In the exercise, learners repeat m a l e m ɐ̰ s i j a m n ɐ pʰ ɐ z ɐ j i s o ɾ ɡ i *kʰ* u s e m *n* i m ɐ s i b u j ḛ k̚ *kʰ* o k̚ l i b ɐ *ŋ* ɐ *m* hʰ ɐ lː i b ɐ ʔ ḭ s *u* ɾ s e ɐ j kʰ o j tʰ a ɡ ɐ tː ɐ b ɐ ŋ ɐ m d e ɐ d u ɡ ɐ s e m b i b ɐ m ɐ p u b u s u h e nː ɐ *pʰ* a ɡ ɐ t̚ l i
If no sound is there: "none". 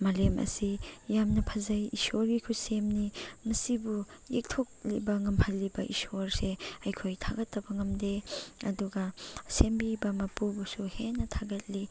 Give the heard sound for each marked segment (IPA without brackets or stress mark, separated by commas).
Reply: kʰ, n, tʰ, ŋ, m, o, tʰ